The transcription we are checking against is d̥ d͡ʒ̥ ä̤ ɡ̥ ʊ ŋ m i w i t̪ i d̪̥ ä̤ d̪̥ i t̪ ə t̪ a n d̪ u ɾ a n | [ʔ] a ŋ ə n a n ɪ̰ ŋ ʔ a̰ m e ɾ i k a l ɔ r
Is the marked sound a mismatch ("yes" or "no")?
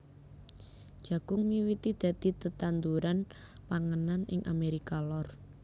yes